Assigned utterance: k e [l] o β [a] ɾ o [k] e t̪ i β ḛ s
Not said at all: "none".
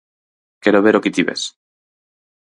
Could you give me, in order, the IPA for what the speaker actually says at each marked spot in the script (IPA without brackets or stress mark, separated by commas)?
ɾ, e, k